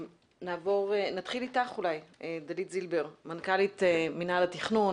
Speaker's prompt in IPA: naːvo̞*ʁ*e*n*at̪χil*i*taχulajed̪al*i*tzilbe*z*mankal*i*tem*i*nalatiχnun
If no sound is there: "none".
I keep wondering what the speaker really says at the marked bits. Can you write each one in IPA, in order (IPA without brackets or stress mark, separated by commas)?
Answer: ʁ, n, i, i, ʁ, i, i